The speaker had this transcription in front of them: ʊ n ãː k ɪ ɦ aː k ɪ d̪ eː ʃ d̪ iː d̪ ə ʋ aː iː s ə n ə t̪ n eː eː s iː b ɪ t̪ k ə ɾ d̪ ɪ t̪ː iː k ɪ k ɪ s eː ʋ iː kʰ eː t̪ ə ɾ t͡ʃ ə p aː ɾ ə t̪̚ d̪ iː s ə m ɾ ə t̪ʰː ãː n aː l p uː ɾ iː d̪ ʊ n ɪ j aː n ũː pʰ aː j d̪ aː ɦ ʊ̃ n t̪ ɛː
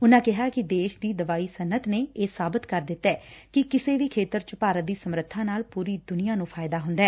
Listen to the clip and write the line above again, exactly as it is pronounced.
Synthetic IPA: ʊ n ãː k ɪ ɦ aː k ɪ d̪ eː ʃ d̪ iː d̪ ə ʋ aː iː s ə n ə t̪ n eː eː s aː b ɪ t̪ k ə ɾ d̪ ɪ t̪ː ɛː k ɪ k ɪ s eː ʋ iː kʰ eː t̪ ə ɾ t͡ʃ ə p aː ɾ ə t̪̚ d̪ iː s ə m ɾ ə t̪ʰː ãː n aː l p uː ɾ iː d̪ ʊ n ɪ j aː n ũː pʰ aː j d̪ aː ɦ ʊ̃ n d̪ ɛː